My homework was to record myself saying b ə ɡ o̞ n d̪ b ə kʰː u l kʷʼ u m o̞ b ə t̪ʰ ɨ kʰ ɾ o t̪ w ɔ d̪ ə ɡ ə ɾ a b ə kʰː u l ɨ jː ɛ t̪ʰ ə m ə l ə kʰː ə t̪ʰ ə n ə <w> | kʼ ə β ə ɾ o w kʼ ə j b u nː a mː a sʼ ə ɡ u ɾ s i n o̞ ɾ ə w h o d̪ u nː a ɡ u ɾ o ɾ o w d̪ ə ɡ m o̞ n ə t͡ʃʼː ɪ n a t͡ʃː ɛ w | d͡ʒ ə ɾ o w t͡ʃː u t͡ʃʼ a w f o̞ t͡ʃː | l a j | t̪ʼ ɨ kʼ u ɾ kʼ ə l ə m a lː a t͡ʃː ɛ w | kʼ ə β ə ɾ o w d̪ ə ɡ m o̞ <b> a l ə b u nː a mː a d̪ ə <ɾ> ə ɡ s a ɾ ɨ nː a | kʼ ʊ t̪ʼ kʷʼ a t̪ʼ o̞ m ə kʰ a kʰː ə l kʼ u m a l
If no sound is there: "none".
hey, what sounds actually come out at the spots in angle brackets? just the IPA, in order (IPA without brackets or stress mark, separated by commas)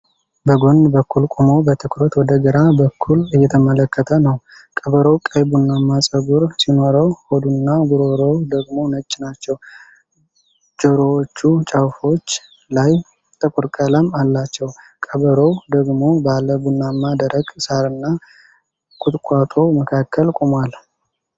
w, b, ɾ